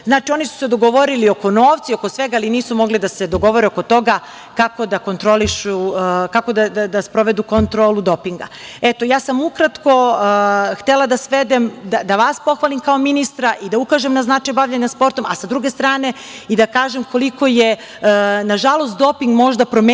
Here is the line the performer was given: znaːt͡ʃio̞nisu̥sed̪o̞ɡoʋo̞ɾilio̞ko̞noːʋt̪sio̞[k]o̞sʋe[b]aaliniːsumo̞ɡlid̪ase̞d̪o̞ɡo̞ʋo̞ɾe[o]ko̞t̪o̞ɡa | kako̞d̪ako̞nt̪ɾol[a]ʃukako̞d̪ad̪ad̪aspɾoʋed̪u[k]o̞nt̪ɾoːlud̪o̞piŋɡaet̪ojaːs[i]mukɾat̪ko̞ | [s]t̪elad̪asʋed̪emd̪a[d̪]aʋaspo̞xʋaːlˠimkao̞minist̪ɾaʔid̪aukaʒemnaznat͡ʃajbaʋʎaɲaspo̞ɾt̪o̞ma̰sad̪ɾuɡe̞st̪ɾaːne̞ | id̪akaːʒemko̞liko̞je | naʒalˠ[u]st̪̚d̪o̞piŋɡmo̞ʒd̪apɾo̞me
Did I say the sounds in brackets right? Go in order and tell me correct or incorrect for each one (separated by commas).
correct, incorrect, correct, incorrect, correct, incorrect, incorrect, correct, incorrect